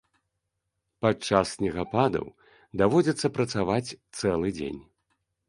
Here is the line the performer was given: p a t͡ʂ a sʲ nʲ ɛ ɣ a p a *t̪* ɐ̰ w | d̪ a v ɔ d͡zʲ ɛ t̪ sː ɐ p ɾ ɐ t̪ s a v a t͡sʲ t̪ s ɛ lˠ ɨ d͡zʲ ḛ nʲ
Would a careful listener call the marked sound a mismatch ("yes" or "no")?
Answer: yes